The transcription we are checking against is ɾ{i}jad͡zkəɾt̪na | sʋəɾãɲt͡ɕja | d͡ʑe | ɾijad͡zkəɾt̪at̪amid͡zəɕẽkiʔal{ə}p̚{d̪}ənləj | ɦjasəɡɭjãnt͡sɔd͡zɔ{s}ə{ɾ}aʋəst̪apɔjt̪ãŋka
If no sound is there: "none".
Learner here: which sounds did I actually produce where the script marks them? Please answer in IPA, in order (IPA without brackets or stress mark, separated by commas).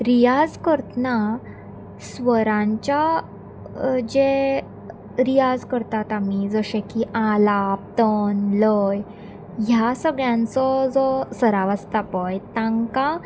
i, a, t̪, s, ɾ